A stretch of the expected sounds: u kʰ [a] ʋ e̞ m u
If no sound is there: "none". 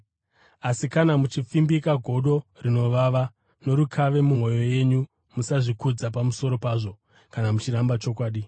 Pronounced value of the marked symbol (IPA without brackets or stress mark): a